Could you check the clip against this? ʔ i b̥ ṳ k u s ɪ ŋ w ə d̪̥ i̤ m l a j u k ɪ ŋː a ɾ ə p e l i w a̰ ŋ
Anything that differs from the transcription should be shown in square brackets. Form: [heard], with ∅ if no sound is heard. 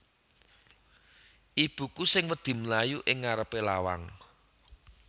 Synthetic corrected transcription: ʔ i b̥ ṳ k u s ɪ ŋ w ə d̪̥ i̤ m l a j u [ʔ] ɪ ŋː a ɾ ə p e l [a] w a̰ ŋ

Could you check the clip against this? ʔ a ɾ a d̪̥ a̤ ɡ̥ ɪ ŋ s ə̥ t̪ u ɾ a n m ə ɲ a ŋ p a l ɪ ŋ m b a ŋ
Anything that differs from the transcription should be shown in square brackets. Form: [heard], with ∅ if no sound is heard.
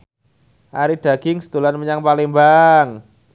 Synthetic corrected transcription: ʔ a ɾ [i] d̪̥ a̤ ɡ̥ ɪ ŋ s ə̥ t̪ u [l] a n m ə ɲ a ŋ p a l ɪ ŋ m b a ŋ

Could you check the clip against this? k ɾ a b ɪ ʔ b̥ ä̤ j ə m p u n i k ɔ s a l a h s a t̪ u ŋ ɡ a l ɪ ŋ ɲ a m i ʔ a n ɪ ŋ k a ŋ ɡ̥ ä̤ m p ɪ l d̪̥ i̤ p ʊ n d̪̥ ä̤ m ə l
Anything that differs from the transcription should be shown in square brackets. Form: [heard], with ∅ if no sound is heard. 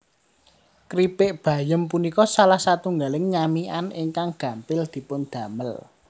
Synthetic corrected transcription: k ɾ [i] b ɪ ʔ b̥ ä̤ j ə m p u n i k ɔ s a l a h s a t̪ u ŋ ɡ a l ɪ ŋ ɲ a m i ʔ a n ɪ ŋ k a ŋ ɡ̥ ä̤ m p ɪ l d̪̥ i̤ p ʊ n d̪̥ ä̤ m ə l

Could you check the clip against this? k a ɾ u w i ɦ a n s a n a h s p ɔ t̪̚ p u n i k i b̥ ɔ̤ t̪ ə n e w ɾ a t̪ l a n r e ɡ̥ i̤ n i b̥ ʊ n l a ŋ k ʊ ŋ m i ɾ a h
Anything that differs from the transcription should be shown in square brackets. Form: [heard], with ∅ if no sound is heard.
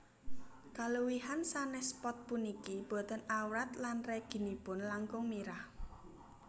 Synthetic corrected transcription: k a [l] u w i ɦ a n s a n [ɛ] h s p ɔ t̪̚ p u n i k i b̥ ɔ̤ t̪ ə n [a] w ɾ a t̪ l a n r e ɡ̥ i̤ n i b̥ ʊ n l a ŋ k ʊ ŋ m i ɾ a h

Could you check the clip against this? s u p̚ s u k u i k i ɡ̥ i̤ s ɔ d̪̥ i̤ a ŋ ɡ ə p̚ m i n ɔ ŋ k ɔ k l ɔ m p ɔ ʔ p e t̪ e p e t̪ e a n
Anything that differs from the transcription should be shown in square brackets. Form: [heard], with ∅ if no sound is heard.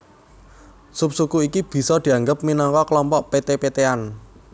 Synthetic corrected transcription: s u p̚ s u k u i k i [b̥] i̤ s ɔ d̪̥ i̤ a ŋ ɡ ə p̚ m i n ɔ ŋ k ɔ k l ɔ m p ɔ ʔ p e t̪ e p e t̪ e a n

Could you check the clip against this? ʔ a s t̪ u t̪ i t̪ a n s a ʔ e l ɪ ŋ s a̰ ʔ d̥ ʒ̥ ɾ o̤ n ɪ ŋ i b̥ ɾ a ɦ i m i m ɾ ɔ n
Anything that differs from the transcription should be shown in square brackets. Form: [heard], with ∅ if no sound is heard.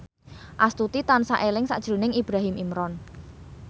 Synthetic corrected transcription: ʔ a s t̪ u t̪ i t̪ a n s a ʔ e l ɪ ŋ s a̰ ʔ d̥ ʒ̥ ɾ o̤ n ɪ ŋ i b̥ ɾ a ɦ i m i m ɾ ɔ n

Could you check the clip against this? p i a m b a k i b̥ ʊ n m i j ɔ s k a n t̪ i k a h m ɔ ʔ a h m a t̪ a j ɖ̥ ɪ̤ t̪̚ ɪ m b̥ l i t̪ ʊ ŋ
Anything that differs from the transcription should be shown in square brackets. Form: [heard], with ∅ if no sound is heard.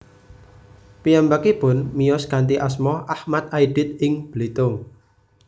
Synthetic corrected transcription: p i a m b a k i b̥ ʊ n m i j ɔ s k a n t̪ i [ʔ] a [s] m ɔ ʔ a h m a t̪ a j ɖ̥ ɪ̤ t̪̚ ɪ [ŋ] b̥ l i t̪ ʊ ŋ

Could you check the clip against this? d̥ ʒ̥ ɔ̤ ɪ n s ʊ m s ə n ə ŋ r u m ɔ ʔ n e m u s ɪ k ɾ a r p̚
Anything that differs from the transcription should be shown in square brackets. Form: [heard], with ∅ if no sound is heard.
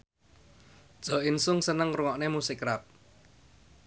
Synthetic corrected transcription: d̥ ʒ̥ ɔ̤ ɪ n s ʊ [ŋ] s ə n ə ŋ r u [ŋ] ɔ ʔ n e m u s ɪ k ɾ a [∅] p̚

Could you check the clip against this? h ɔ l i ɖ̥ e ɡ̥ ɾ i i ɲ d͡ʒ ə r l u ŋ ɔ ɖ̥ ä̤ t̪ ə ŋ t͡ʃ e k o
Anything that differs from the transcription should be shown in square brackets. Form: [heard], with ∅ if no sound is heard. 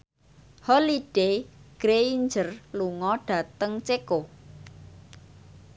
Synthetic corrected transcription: h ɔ l i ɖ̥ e ɡ̥ ɾ [e] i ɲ d͡ʒ ə r l u ŋ ɔ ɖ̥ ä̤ t̪ ə ŋ t͡ʃ e k o

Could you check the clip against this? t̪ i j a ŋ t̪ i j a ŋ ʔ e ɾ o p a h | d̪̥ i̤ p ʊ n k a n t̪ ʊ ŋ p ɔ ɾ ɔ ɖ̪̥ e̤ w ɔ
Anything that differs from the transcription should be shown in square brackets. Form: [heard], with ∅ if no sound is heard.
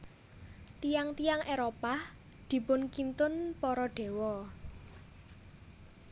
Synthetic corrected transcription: t̪ i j a ŋ t̪ i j a ŋ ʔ e ɾ o p a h | d̪̥ i̤ p ʊ n k [i] n t̪ ʊ [n] p ɔ ɾ ɔ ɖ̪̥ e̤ w ɔ

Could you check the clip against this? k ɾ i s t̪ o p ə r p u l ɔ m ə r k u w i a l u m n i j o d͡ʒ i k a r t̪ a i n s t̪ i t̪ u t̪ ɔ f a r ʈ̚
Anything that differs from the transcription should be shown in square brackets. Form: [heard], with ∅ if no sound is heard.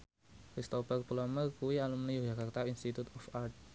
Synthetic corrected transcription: k ɾ i s t̪ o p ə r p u l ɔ m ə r k u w i a l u m n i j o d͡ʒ [a] k a r t̪ a i n s t̪ i t̪ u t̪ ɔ f a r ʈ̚

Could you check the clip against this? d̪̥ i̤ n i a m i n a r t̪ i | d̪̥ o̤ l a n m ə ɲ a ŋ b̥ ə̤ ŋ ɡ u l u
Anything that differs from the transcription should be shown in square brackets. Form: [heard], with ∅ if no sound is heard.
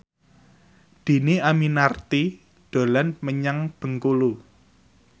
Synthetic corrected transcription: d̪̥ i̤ n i a m i n a r t̪ i | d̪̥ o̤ l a n m ə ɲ a ŋ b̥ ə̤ ŋ [k] u l u

